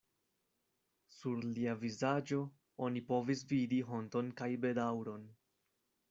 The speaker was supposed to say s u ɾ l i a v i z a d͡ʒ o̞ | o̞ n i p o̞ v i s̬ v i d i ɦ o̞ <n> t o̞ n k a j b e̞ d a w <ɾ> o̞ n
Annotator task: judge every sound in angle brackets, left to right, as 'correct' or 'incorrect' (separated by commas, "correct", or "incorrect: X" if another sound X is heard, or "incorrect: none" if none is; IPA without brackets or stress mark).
correct, correct